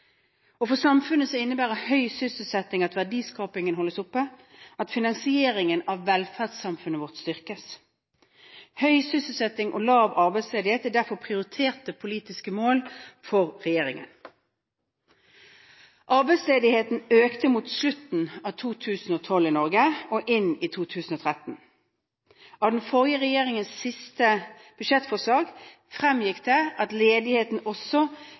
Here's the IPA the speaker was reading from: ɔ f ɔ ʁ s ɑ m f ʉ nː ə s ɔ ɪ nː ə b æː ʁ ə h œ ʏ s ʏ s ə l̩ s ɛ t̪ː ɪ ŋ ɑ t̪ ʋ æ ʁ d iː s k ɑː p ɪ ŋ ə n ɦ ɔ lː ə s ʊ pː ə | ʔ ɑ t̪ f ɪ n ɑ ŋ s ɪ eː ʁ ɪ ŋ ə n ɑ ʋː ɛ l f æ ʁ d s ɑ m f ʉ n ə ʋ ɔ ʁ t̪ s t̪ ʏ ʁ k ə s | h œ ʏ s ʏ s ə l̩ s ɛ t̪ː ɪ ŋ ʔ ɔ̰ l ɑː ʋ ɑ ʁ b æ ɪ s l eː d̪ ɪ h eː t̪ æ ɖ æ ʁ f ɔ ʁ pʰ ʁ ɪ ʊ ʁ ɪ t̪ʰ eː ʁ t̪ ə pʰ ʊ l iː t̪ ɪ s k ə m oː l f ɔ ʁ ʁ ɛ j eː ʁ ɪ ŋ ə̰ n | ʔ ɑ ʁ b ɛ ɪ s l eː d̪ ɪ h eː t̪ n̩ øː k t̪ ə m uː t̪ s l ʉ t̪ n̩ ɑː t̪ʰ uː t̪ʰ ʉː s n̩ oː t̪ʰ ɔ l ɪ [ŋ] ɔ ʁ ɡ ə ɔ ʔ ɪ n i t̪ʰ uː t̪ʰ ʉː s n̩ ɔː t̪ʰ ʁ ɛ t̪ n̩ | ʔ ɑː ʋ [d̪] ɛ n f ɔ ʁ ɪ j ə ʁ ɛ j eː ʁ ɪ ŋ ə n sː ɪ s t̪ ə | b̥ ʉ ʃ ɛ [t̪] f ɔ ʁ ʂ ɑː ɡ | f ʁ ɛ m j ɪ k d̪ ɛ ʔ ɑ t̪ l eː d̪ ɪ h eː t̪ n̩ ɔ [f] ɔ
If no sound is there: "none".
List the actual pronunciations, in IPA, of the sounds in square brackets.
n, d̪, t̪, s

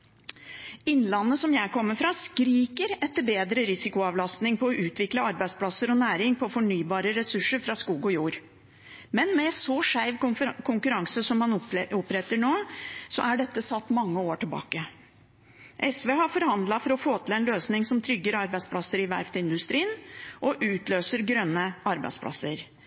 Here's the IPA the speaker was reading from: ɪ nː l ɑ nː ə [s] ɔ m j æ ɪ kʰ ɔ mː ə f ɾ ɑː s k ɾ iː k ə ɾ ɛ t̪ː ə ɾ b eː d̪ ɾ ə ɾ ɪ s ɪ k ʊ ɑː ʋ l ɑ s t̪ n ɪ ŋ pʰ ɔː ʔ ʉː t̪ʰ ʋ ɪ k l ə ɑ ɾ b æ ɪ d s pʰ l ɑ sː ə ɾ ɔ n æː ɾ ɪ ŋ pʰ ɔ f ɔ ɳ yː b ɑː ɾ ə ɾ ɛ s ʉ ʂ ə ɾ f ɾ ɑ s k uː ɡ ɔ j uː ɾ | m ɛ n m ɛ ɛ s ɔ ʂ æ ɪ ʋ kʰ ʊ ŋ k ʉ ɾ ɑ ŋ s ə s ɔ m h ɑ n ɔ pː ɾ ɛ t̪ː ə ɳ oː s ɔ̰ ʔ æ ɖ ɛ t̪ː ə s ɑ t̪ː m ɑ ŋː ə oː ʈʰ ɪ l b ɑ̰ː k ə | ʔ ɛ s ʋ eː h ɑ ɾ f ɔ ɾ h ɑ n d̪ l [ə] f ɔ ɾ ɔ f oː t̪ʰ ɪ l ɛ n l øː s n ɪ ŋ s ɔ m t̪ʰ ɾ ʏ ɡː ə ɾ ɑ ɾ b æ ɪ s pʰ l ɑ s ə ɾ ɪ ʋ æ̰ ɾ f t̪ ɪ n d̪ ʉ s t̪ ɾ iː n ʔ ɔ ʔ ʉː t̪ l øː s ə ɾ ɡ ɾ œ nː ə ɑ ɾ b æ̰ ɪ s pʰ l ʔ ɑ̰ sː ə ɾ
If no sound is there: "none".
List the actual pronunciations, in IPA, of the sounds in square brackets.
s, ɑ

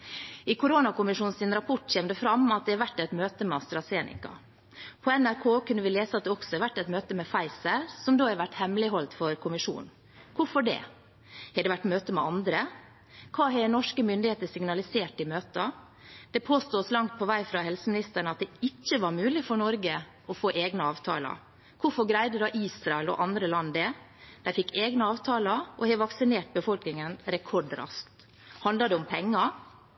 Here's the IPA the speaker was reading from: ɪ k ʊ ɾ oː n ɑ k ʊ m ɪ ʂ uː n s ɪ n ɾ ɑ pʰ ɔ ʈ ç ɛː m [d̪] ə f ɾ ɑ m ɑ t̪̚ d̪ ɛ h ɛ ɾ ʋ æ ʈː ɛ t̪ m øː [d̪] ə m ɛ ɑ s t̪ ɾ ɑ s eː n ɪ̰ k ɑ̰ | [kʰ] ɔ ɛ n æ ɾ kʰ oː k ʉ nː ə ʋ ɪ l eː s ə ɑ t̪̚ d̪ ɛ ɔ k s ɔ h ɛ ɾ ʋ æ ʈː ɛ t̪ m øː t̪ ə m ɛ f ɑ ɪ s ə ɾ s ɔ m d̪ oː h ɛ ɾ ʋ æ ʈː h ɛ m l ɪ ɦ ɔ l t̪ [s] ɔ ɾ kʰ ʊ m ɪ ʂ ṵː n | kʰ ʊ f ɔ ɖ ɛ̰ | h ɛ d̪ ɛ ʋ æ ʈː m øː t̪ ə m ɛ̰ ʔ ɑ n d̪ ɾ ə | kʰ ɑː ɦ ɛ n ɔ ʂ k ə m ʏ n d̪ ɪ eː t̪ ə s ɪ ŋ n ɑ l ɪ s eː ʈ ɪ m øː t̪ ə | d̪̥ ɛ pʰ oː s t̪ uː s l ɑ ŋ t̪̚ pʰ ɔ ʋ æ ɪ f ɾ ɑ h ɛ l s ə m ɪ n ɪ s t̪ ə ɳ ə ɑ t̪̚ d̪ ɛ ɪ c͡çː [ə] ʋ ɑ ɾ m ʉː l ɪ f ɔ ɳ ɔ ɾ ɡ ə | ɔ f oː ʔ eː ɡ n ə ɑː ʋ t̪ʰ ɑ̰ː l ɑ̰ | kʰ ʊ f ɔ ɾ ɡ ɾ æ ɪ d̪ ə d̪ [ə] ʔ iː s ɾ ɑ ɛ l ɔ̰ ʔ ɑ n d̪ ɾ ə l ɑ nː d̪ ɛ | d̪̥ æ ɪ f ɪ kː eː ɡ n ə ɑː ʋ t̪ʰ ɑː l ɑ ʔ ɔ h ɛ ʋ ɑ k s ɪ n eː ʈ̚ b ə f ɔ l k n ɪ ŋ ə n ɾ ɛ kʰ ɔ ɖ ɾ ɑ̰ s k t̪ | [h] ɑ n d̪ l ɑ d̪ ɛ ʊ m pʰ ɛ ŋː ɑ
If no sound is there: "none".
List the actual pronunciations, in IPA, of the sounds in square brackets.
d̪, t̪, pʰ, f, ə, ɑ, h

